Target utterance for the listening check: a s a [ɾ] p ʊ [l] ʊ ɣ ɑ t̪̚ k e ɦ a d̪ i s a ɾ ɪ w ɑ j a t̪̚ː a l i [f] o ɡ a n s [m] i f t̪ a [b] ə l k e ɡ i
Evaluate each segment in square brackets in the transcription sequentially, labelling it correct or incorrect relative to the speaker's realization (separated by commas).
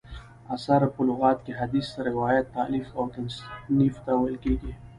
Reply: correct, correct, correct, incorrect, incorrect